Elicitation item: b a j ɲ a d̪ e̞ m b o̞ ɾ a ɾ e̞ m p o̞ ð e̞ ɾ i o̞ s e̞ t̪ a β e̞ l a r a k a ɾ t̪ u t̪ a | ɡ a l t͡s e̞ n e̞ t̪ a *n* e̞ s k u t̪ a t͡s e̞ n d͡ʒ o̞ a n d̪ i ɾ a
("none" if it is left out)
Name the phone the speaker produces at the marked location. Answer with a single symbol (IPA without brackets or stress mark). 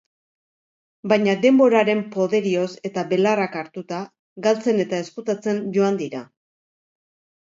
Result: none